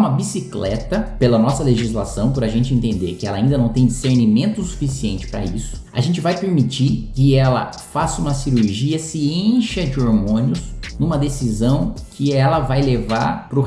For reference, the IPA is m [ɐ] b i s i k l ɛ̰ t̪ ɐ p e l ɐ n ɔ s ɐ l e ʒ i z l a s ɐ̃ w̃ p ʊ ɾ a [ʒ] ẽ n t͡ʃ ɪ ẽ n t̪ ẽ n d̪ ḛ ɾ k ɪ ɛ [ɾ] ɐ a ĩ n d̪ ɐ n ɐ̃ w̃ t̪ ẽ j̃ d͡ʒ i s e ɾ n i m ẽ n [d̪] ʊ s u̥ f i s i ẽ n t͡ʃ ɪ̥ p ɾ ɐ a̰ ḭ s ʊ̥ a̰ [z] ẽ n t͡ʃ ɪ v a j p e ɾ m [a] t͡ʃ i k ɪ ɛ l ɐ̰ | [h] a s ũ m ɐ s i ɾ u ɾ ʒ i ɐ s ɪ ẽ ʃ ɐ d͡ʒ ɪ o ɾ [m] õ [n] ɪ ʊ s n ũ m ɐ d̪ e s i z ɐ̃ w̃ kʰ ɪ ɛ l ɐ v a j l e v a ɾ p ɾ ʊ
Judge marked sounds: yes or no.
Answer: yes, yes, no, no, no, no, no, yes, yes

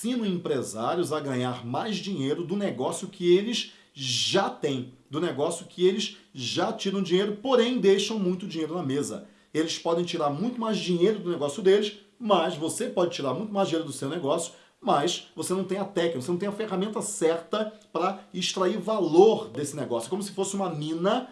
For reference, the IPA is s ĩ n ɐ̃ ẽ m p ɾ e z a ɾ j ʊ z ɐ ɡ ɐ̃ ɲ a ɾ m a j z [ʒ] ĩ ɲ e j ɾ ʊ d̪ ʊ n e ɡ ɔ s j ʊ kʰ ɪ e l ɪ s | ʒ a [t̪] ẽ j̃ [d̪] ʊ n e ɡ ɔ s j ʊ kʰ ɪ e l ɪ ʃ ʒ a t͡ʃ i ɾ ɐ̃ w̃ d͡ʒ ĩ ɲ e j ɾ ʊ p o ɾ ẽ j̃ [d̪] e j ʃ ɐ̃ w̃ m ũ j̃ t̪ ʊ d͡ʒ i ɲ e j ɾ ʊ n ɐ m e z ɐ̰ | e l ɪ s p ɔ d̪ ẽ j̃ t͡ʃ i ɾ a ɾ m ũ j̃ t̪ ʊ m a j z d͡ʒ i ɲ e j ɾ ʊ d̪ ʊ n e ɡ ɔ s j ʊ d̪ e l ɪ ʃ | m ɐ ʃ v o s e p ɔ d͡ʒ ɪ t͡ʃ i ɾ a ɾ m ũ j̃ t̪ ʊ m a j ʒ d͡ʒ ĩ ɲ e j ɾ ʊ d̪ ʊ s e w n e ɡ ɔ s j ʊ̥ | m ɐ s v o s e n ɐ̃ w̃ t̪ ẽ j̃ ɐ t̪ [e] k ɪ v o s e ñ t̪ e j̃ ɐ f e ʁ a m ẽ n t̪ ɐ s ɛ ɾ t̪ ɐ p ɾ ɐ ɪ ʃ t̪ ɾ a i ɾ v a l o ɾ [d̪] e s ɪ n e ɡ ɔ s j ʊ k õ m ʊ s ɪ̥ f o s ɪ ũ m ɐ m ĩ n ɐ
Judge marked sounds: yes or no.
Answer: no, yes, yes, yes, no, yes

